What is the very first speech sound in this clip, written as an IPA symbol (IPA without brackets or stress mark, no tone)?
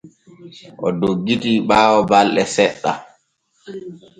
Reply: ʔ